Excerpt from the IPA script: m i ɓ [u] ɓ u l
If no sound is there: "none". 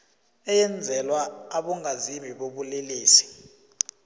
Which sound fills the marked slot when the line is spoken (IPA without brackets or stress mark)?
o